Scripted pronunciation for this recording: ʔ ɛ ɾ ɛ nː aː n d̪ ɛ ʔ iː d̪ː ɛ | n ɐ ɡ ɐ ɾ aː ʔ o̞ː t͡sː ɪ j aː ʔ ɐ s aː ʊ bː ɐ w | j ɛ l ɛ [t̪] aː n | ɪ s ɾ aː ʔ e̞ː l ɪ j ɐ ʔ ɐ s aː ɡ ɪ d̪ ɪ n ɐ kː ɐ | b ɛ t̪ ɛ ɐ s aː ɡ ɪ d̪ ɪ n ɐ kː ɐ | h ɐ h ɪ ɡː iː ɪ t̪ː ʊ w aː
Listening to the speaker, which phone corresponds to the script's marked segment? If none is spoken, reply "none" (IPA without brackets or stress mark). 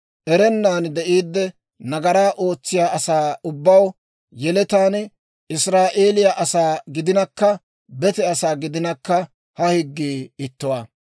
t̪